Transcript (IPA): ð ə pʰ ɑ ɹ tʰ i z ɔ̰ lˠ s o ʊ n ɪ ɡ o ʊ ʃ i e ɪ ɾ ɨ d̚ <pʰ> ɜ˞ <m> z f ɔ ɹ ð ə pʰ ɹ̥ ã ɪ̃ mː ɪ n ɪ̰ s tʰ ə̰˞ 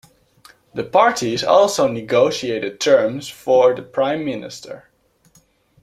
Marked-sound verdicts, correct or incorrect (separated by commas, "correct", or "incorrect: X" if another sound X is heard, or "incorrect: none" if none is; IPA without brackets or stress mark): incorrect: tʰ, correct